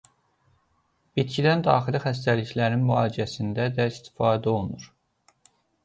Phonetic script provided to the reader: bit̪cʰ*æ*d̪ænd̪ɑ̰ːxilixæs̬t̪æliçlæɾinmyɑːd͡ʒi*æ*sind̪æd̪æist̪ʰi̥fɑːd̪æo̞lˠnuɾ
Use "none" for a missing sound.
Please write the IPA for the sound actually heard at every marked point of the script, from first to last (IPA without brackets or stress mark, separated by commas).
i, æ